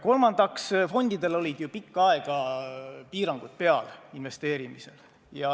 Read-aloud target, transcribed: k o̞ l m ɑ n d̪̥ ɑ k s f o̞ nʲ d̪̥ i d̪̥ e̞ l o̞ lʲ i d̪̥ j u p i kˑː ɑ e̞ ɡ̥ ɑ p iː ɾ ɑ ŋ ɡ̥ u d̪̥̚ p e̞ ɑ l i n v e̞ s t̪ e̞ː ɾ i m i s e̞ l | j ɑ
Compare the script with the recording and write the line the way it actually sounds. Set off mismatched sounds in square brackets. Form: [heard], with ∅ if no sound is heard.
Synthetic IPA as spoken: k o̞ l m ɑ n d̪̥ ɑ k s f o̞ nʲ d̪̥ i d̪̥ e̞ l o̞ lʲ i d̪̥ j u p i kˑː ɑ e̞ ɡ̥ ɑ p iː ɾ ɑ ŋ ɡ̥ u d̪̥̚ p e̞ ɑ l i n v e̞ s t̪ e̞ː ɾ i m i s e̞ l | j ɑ

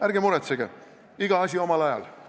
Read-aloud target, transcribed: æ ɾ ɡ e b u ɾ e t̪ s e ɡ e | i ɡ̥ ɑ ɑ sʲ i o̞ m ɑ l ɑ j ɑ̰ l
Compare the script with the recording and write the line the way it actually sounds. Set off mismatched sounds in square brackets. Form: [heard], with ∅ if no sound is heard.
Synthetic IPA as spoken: æ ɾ ɡ e [m] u ɾ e t̪ s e ɡ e | i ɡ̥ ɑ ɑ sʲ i o̞ m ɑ l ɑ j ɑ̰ l

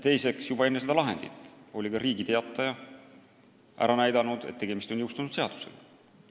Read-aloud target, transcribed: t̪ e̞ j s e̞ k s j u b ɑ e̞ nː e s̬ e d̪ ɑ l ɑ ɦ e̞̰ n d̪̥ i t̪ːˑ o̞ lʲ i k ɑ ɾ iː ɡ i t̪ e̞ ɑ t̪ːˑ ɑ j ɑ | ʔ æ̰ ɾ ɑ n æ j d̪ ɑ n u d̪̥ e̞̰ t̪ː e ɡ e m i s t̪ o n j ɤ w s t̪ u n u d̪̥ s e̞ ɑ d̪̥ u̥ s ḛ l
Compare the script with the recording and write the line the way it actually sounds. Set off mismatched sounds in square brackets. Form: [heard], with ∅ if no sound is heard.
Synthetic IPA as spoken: t̪ e̞ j s e̞ k s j u b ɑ e̞ nː e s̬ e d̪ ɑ l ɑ ɦ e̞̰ n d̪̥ i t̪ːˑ o̞ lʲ i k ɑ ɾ iː ɡ i t̪ e̞ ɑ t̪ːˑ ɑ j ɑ | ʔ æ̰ ɾ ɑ n æ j d̪ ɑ n u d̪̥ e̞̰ t̪ː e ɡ e m i s t̪ o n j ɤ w s t̪ u n u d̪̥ s e̞ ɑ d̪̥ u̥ s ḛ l

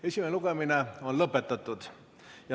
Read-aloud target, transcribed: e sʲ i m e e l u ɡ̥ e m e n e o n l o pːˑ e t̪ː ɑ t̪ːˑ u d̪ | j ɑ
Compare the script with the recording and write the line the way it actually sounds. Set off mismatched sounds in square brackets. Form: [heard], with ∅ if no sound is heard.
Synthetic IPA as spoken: e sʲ i m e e l u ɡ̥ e m [i] n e o n l [ɤ] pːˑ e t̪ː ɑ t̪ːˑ u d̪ | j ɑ

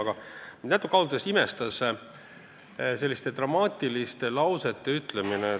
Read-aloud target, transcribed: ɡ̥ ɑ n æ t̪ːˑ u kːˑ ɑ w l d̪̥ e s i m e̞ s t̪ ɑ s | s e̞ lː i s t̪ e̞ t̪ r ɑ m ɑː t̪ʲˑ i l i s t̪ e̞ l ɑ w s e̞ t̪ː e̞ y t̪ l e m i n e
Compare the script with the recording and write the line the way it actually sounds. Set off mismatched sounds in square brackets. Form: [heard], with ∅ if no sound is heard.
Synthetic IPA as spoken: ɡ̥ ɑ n æ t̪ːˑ u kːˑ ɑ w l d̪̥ e s i m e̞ s t̪ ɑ s | s e̞ lː i s t̪ e̞ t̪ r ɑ m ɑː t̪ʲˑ i l i s t̪ e̞ l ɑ w s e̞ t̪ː e̞ y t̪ l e m i n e

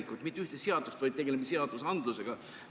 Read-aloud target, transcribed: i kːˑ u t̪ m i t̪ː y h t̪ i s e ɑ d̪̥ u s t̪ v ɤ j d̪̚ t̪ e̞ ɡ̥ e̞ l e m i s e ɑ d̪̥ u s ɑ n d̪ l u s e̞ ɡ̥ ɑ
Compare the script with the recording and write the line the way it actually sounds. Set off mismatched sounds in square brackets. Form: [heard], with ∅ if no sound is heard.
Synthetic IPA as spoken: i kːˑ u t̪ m i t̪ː y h t̪ [e] s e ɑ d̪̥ u s t̪ v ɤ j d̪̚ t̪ e̞ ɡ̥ e̞ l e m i s e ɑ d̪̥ u s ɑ n d̪ l u s e̞ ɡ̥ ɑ

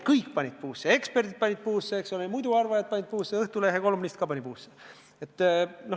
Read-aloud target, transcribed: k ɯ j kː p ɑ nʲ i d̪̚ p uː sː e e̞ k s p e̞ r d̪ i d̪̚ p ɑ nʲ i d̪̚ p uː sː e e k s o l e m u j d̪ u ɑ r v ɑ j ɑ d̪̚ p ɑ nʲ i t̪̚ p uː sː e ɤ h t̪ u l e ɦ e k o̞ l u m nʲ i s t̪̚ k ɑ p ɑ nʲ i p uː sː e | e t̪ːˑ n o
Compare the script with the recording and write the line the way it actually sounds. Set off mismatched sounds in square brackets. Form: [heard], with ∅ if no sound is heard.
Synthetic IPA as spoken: k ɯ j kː p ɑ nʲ i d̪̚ p uː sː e e̞ k s p e̞ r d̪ i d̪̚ p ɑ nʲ i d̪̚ p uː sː e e k s o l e m u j d̪ u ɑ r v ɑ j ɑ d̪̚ p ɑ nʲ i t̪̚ p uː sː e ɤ h t̪ u l e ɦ e k o̞ l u m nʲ i s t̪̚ k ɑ p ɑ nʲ i p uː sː e | e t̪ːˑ n o

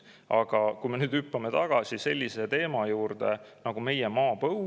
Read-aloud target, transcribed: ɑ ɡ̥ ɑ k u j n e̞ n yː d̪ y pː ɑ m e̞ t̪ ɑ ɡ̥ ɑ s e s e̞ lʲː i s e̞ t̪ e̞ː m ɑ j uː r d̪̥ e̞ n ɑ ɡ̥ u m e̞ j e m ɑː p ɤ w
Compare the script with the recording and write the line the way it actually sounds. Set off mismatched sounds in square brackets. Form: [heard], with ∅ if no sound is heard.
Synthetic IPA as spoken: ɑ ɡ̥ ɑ k u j [m] e̞ n yː d̪ y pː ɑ m e̞ t̪ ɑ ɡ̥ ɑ s [i] s e̞ lʲː i s e̞ t̪ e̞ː m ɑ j uː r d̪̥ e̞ n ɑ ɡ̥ u m e̞ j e m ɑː p ɤ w

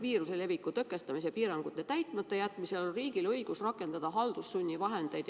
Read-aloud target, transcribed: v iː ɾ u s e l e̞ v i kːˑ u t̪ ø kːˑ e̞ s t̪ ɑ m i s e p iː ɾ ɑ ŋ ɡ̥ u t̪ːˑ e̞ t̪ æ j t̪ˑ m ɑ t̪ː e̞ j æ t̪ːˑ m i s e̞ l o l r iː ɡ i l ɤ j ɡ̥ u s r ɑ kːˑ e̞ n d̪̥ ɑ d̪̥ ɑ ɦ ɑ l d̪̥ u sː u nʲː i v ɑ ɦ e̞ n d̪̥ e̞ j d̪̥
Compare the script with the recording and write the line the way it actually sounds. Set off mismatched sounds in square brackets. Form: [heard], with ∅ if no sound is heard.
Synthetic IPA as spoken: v iː ɾ u s e l e̞ v i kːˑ u t̪ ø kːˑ e̞ s t̪ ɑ m i s e p iː ɾ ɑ ŋ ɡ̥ u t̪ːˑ e̞ t̪ æ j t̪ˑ m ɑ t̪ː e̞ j æ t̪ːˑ m i s e̞ l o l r iː ɡ i l ɤ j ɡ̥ u s r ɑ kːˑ e̞ n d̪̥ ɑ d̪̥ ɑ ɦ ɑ l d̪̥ u sː u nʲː i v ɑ ɦ e̞ n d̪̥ e̞ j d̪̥

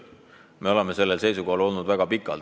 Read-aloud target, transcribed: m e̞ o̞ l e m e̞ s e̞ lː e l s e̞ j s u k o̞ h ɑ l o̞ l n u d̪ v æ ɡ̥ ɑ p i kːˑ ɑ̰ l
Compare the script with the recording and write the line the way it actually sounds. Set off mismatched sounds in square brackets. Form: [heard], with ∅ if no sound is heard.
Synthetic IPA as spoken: m e̞ o̞ l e m e̞ s e̞ lː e l s e̞ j s u k o̞ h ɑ l o̞ l n u d̪ v æ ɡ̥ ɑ p i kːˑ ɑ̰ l

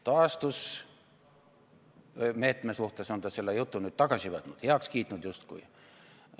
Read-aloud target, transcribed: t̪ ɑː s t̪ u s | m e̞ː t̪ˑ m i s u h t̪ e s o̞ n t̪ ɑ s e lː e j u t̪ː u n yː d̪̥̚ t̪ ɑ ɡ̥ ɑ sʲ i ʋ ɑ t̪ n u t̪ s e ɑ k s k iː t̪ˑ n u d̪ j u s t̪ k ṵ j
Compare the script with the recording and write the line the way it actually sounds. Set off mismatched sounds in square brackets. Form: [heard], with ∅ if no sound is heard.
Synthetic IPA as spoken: t̪ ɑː s t̪ u s | m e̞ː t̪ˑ m [e] s u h t̪ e s o̞ n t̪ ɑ s e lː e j u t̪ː u n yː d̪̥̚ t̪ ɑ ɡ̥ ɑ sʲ i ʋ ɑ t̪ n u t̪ [h] e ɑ k s k iː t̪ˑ n u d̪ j u s t̪ k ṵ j

